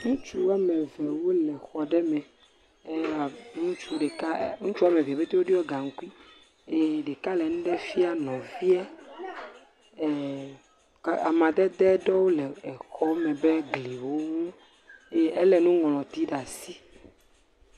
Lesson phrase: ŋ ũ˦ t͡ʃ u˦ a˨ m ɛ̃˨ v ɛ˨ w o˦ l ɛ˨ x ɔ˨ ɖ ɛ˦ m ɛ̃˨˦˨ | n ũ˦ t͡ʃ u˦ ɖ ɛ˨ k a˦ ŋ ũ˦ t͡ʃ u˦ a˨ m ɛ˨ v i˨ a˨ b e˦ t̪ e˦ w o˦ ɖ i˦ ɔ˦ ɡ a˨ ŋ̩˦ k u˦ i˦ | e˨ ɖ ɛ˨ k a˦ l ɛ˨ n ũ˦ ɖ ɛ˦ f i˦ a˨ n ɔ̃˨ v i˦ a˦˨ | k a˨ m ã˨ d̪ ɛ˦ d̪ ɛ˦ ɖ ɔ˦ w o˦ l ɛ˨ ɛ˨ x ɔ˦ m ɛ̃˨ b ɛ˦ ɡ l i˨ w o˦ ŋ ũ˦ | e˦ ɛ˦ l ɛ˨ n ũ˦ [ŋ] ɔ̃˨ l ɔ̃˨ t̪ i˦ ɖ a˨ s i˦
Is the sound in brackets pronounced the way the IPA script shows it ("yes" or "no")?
yes